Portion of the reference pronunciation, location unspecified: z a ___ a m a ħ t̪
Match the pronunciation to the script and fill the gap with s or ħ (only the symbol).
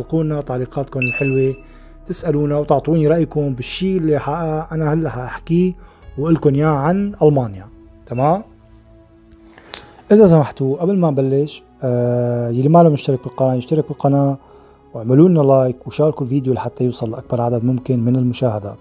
s